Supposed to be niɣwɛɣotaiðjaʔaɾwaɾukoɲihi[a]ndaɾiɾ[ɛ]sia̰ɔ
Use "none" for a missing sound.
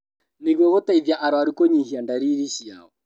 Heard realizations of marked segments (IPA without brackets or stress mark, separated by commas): a, i